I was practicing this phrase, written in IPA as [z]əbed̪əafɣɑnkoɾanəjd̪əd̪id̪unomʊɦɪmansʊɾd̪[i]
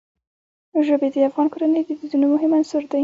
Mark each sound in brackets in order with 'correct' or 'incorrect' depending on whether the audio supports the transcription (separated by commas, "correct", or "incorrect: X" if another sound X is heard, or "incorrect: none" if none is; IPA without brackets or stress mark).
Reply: incorrect: ʒ, incorrect: a